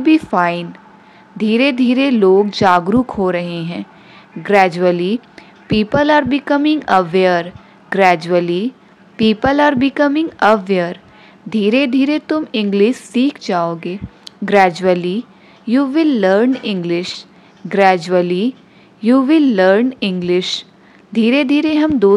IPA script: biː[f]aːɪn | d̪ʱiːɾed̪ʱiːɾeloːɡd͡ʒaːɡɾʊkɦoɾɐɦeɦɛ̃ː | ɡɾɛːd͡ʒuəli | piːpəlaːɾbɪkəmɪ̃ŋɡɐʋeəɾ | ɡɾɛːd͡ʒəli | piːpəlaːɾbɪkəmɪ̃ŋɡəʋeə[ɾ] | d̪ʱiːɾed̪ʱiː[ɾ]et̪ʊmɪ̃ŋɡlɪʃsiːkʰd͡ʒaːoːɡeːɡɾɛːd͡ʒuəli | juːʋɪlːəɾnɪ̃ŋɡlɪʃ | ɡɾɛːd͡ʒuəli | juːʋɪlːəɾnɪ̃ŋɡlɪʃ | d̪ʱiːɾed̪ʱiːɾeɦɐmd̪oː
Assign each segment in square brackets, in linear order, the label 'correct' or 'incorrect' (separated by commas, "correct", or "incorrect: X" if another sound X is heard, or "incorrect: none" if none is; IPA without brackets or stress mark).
correct, correct, correct